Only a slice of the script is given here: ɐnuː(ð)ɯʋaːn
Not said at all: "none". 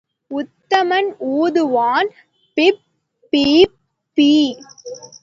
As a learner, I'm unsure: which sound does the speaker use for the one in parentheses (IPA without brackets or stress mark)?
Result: ð